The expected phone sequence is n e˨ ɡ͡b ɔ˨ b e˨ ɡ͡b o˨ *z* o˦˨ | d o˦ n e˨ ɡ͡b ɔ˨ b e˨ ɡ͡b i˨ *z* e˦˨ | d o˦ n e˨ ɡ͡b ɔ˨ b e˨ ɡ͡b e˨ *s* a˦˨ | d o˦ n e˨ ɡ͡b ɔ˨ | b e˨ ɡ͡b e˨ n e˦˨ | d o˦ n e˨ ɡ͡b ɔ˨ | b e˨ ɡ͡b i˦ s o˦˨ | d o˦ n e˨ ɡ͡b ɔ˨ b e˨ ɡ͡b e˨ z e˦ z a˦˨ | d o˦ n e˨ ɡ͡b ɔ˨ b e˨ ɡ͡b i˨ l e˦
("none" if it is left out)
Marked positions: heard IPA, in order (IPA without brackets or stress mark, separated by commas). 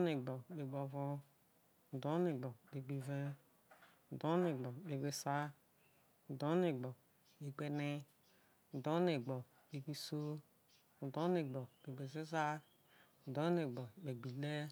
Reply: v, v, s